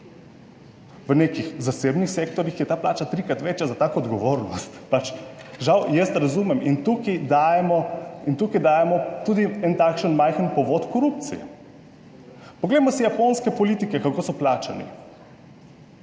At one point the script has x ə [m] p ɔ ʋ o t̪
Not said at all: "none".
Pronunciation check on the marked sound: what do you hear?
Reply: n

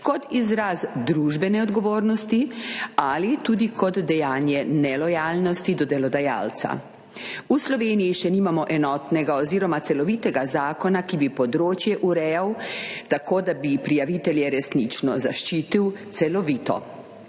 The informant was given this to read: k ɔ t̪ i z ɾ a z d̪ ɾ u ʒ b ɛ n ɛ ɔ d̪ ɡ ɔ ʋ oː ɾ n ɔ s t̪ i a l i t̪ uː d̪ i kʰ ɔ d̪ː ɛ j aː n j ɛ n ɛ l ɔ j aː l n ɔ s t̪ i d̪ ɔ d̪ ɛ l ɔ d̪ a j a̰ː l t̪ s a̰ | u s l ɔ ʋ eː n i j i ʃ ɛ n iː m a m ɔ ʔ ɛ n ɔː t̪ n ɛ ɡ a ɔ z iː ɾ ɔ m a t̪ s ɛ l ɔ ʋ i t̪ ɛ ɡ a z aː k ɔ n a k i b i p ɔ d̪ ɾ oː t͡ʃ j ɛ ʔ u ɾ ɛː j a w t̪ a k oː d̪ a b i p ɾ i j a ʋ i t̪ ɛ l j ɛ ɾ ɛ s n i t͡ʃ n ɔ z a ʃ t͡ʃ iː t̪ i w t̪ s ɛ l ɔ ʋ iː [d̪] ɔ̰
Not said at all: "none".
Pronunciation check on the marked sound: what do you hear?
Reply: t̪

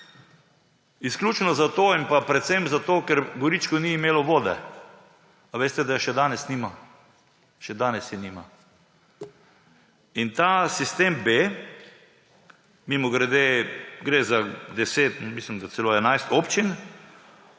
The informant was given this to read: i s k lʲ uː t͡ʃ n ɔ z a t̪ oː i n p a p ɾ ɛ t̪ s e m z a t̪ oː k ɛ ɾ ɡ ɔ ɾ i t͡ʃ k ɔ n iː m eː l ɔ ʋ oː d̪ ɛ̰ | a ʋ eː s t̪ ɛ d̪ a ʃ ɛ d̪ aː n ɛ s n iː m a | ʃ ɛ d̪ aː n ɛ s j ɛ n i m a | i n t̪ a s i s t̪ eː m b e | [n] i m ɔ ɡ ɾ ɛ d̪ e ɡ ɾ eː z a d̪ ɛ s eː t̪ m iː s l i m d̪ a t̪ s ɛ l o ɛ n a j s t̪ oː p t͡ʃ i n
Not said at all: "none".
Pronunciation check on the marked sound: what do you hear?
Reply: m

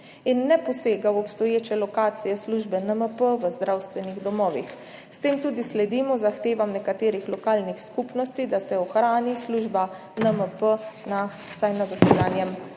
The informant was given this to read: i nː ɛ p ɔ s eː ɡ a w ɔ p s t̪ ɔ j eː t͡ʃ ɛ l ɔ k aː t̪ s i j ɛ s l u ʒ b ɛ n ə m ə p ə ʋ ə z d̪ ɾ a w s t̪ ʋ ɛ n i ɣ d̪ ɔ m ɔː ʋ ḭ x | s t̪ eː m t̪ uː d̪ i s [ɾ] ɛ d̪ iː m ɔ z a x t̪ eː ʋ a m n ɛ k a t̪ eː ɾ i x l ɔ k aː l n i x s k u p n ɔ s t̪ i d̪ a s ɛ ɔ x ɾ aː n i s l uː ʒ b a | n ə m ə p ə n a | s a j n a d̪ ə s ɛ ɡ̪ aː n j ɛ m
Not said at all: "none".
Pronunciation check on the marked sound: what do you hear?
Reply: l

